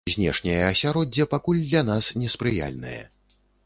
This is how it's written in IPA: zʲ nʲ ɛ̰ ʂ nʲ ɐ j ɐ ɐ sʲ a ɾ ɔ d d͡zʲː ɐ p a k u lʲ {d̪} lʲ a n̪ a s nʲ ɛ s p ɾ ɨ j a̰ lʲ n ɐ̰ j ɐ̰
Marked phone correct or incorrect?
correct